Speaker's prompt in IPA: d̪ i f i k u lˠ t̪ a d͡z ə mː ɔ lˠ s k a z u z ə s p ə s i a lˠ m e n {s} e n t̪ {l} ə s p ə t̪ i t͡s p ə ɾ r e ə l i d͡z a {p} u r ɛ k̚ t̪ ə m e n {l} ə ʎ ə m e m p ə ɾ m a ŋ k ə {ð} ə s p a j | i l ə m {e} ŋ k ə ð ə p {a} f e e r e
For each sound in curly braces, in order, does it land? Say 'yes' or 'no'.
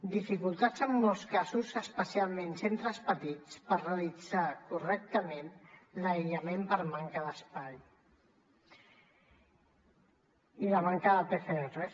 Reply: yes, no, no, yes, yes, no, no

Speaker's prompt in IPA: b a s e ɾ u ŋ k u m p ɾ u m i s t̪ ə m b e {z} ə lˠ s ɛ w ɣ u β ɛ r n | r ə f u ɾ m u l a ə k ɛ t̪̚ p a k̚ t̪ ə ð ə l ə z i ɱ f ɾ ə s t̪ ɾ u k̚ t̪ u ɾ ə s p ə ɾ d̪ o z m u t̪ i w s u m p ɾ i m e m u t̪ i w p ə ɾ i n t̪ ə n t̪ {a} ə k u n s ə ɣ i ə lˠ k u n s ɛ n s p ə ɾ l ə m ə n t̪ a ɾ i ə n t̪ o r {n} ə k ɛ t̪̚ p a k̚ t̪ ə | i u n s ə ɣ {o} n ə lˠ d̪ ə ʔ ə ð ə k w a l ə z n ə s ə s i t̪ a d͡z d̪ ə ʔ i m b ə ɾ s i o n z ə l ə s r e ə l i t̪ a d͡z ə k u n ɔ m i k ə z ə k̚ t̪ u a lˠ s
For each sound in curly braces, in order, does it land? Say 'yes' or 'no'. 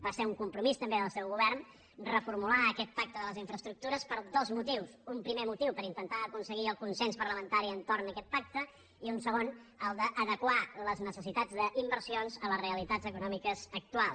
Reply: no, yes, yes, yes

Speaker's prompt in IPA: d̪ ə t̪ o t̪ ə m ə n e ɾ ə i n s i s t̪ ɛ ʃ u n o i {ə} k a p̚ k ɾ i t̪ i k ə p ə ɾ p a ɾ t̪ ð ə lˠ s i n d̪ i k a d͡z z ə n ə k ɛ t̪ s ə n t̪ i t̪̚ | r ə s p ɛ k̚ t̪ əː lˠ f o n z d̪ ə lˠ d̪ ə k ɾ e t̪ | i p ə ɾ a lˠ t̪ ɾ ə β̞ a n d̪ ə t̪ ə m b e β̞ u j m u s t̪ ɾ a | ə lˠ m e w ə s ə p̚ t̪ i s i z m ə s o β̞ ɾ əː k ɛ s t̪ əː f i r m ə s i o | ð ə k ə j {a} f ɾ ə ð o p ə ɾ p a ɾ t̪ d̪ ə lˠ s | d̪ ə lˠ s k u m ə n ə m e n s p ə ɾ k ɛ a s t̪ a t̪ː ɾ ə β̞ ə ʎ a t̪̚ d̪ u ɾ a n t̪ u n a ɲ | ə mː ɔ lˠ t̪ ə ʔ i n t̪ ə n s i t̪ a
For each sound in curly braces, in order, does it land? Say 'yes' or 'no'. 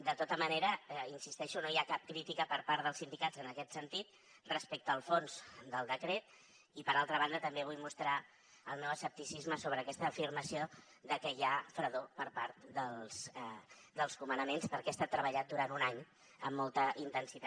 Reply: no, yes

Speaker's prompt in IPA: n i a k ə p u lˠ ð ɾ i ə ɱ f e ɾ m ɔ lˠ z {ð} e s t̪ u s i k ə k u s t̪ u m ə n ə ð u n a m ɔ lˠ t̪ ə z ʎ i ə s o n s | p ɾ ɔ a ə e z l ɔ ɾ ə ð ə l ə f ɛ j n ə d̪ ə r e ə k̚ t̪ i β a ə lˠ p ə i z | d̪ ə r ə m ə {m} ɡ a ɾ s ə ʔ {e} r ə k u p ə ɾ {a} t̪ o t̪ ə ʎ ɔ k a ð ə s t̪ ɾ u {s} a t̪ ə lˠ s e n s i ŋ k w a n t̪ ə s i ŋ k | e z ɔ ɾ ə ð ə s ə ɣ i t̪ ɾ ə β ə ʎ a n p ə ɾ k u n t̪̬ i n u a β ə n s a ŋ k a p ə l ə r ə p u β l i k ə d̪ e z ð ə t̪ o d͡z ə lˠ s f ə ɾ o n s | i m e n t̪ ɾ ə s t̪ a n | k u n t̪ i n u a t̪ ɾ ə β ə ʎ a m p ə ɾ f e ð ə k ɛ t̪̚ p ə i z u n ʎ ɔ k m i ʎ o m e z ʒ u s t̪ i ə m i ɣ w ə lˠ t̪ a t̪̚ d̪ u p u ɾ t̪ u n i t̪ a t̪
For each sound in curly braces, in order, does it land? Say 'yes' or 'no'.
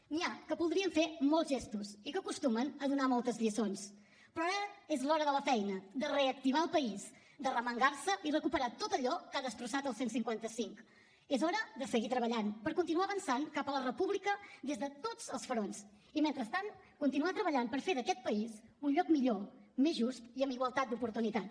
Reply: no, no, no, yes, yes

